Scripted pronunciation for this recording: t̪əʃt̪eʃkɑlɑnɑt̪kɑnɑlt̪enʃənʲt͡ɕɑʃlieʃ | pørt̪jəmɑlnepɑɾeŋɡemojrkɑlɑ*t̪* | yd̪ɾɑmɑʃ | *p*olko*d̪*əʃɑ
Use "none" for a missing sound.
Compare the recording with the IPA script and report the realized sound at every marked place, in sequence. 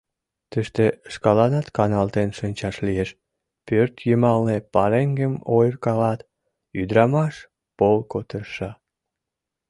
t̪, p, t̪

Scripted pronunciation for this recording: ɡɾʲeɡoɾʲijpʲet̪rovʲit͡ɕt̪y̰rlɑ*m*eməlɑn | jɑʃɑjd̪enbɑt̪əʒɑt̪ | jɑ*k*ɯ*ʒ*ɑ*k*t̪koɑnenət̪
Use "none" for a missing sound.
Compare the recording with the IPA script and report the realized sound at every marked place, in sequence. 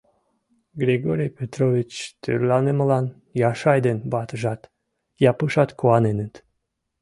n, p, ʃ, none

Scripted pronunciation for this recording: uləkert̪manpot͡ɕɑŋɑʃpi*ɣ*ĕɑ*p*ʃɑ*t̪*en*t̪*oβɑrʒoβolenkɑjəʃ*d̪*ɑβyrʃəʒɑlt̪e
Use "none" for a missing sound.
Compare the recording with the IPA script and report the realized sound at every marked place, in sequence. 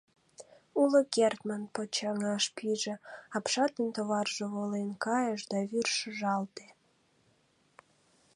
ʒ, p, t̪, t̪, d̪

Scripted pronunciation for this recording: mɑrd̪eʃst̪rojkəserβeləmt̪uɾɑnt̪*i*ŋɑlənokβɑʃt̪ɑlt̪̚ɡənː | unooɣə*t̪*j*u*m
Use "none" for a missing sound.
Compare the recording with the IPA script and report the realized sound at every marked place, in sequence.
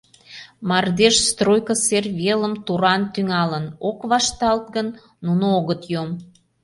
y, t̪, o

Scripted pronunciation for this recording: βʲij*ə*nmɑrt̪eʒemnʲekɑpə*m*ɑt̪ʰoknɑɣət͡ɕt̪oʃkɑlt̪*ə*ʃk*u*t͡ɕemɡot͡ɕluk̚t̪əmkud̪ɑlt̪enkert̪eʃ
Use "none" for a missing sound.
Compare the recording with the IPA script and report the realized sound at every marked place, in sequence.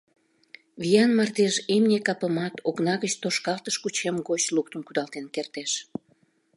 ɑ, m, ə, u

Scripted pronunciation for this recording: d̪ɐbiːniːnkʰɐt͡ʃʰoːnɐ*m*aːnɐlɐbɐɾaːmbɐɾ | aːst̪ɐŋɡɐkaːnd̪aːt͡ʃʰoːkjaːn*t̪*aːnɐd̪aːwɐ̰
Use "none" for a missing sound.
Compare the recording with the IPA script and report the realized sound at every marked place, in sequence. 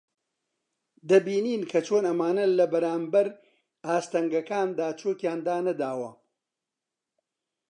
m, d̪

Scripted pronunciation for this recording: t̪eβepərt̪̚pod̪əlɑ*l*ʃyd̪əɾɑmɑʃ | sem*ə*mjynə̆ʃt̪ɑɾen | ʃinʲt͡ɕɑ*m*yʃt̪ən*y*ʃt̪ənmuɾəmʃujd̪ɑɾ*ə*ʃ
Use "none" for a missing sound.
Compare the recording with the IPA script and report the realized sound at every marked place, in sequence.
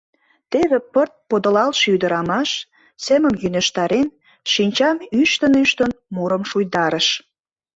l, ə, m, y, ə

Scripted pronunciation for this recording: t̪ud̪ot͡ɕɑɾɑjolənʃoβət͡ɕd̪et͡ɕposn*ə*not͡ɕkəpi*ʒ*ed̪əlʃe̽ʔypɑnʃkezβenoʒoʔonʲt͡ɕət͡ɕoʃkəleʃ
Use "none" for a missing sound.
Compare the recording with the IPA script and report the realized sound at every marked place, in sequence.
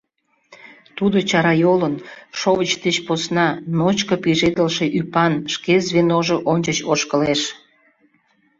ɑ, ʒ

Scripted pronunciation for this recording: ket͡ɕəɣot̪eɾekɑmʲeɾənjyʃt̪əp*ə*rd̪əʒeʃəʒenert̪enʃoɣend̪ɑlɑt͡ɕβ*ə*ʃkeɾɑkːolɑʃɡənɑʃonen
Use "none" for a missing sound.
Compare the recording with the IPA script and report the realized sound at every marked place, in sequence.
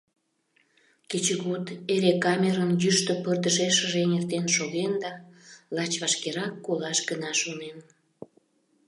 ə, ɑ

